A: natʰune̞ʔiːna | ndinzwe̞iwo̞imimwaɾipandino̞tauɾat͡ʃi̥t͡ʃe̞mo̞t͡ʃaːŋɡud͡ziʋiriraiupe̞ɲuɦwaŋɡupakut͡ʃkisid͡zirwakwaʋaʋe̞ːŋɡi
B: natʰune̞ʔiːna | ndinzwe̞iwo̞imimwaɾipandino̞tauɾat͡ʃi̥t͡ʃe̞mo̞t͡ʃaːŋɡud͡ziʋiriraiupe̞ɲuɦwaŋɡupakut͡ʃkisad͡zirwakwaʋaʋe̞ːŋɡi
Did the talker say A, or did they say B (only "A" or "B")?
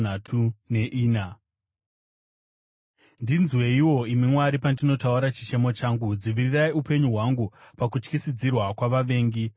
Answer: A